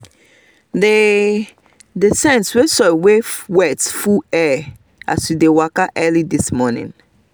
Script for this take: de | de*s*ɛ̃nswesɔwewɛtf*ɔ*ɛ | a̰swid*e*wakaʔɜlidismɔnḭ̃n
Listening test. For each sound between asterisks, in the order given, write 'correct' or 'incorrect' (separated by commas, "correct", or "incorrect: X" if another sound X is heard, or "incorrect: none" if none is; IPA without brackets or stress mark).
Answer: correct, incorrect: u, correct